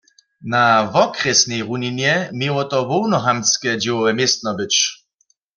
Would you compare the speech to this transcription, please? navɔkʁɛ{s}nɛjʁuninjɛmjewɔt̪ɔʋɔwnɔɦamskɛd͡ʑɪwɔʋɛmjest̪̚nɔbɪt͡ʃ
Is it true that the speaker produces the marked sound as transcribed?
yes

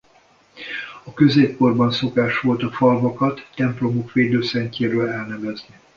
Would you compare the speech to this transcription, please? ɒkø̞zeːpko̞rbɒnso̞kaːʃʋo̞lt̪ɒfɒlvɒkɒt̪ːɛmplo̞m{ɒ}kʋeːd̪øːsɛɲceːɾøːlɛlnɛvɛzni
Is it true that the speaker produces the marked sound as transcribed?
no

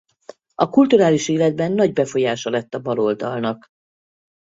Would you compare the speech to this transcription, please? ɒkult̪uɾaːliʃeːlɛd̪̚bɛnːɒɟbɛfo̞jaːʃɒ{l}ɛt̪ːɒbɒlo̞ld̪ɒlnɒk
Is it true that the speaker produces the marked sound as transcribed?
yes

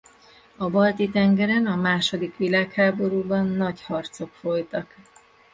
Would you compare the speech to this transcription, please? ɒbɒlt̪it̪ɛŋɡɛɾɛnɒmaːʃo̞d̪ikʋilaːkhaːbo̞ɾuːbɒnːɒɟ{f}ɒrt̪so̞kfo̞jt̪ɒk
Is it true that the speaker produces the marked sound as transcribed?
no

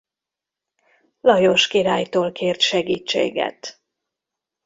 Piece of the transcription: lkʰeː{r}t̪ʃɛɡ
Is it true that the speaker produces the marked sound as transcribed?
yes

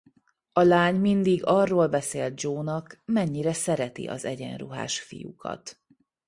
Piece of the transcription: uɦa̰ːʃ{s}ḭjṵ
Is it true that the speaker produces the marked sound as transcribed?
no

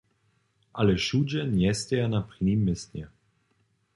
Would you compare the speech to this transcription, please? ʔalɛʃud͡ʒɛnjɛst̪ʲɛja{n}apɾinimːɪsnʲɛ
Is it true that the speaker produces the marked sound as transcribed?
yes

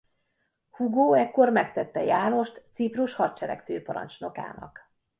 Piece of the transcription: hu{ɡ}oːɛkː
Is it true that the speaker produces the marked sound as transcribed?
yes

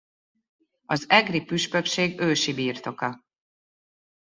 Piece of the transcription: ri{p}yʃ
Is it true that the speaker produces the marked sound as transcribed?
yes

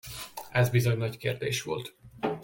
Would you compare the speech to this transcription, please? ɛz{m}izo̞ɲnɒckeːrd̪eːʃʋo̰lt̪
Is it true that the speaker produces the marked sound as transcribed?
no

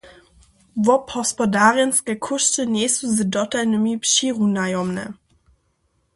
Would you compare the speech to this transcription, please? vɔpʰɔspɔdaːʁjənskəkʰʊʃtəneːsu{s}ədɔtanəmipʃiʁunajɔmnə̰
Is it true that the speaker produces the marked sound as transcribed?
no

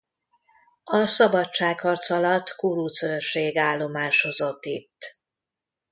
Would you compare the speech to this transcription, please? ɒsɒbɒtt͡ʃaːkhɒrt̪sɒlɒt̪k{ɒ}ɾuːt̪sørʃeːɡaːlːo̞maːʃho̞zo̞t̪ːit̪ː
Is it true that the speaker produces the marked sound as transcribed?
no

